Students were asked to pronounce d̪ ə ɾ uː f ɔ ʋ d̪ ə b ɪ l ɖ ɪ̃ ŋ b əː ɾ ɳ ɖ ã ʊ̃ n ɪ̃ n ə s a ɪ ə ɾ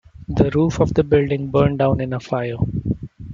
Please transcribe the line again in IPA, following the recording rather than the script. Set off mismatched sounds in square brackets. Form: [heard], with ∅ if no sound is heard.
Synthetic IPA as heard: d̪ ə ɾ uː f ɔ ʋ d̪ ə b ɪ l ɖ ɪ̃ ŋ b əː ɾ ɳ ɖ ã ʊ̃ n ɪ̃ n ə [f] a ɪ ə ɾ